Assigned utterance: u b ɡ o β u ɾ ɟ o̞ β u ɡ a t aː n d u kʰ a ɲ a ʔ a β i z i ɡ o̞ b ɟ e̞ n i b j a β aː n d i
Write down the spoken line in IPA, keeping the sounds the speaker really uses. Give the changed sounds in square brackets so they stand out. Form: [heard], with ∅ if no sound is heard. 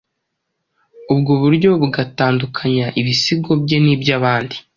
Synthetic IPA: u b ɡ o β u ɾ ɟ o̞ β u ɡ a t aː n d u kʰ a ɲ a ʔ [i] β i [s] i ɡ o̞ b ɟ e̞ n i b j a β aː n d i